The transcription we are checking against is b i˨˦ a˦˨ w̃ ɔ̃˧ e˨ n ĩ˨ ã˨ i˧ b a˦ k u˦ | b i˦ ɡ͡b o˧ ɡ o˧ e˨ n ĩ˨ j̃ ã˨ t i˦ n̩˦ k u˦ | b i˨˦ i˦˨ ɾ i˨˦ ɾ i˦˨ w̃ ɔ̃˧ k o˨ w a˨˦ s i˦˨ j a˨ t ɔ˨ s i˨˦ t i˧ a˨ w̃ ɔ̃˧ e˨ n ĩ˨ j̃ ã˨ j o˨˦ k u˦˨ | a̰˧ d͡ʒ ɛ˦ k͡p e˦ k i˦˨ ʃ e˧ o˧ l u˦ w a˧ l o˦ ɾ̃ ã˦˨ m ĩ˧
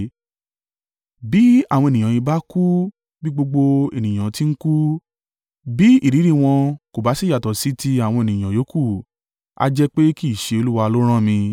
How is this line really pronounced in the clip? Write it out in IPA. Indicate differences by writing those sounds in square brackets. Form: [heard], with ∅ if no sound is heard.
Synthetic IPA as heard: b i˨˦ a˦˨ w̃ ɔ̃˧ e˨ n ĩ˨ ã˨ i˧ b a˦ k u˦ | b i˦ ɡ͡b o˧ [ɡ͡b] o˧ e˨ n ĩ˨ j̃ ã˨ t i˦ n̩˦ k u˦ | b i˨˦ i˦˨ ɾ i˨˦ ɾ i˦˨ w̃ ɔ̃˧ k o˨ [b] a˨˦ s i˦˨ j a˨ t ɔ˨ s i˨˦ t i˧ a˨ w̃ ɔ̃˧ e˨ n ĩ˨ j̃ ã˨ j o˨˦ k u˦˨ | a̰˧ d͡ʒ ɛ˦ k͡p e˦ k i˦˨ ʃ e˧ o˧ l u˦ w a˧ l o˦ ɾ̃ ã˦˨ m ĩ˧